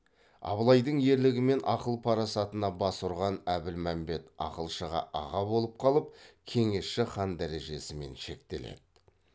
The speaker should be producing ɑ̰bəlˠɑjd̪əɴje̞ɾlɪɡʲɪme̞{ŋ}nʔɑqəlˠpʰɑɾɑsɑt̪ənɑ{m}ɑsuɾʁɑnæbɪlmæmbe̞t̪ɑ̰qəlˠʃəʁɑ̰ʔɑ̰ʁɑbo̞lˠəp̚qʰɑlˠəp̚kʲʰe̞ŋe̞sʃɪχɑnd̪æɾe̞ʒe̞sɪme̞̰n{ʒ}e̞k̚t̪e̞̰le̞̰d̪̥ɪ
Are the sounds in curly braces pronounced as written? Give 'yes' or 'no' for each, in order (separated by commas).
no, no, no